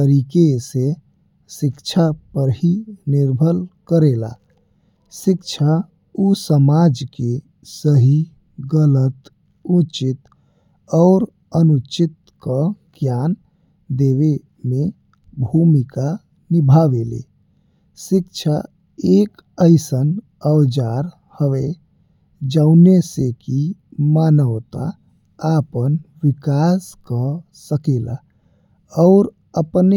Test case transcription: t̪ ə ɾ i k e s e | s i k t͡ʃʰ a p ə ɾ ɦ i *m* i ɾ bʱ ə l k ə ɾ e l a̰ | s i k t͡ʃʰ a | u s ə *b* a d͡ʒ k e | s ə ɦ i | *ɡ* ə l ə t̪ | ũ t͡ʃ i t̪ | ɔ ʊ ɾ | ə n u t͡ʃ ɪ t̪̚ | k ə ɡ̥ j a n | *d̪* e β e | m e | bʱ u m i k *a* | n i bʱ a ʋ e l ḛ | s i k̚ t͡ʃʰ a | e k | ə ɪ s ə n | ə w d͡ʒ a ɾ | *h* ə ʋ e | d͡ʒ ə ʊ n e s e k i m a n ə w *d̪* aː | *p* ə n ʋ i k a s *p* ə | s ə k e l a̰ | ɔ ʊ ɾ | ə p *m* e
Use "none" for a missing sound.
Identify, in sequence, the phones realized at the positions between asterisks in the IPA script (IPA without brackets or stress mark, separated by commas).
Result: n, m, ɡ, d̪, a, h, t̪, p, k, n